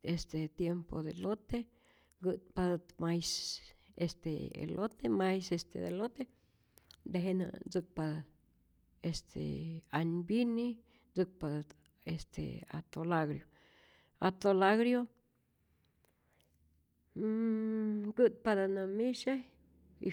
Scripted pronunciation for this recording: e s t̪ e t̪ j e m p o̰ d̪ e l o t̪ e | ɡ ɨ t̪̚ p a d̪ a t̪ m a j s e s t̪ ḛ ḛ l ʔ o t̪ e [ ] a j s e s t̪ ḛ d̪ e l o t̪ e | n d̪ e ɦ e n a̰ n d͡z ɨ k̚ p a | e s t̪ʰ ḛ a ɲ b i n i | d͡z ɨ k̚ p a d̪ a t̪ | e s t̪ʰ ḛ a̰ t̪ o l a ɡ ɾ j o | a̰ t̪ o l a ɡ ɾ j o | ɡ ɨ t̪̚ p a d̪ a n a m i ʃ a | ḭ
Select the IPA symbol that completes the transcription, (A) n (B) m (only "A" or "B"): B